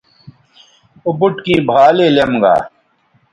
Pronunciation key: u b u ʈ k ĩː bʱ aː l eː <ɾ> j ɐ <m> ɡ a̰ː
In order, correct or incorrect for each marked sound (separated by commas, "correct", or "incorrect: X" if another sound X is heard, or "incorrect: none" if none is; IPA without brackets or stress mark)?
incorrect: l, correct